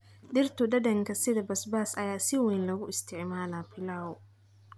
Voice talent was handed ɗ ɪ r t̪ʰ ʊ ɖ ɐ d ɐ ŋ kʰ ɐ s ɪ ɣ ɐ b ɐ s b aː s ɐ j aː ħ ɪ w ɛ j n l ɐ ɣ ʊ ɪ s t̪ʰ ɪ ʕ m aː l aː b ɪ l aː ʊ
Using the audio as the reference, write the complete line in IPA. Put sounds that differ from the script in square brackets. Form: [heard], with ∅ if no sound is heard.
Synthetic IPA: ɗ ɪ r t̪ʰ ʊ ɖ ɐ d ɐ ŋ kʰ ɐ s ɪ [ð] ɐ b ɐ s b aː s ɐ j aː [s] ɪ w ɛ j n l ɐ ɣ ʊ ɪ s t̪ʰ ɪ ʕ m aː l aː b ɪ l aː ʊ